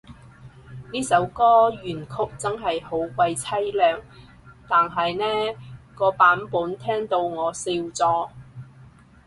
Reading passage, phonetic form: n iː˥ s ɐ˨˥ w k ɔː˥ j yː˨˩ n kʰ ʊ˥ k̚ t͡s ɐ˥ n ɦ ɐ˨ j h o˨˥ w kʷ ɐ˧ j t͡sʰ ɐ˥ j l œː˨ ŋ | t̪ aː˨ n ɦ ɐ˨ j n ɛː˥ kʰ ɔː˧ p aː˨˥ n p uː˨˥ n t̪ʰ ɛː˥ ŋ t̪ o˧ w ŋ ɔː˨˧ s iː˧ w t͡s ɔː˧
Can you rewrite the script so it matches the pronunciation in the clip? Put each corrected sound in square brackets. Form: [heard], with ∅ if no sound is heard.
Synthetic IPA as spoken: n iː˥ s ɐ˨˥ w k ɔː˥ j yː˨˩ n kʰ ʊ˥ k̚ t͡s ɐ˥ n ɦ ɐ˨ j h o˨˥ w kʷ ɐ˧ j t͡sʰ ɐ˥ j l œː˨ ŋ | t̪ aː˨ n ɦ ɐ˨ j n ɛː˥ [k] ɔː˧ p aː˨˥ n p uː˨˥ n t̪ʰ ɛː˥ ŋ t̪ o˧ w ŋ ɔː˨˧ s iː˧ w t͡s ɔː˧